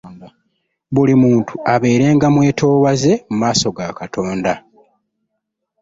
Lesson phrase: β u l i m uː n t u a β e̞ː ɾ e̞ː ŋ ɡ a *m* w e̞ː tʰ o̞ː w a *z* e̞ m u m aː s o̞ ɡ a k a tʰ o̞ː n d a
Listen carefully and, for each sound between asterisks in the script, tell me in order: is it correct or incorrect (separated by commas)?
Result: correct, correct